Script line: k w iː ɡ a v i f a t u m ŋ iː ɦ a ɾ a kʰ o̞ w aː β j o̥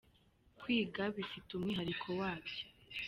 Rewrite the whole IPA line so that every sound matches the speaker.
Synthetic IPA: k w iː ɡ a β i f i t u m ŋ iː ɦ a ɾ i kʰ o̞ w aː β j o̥